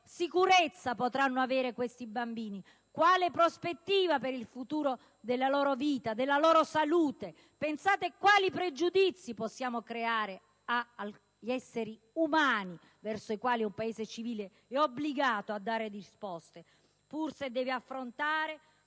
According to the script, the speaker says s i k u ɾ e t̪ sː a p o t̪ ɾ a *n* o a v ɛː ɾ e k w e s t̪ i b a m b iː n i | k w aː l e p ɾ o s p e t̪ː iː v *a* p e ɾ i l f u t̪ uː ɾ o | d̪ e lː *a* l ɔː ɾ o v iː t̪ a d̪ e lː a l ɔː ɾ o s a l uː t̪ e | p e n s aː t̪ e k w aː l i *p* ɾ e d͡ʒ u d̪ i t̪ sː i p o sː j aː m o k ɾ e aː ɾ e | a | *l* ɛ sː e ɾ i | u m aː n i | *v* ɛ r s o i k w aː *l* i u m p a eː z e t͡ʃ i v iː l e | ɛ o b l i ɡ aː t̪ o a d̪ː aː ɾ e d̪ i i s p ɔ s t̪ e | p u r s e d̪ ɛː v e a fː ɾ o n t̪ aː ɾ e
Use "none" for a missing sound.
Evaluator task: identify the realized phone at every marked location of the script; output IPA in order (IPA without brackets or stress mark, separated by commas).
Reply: nː, a, a, p, ʎ, v, l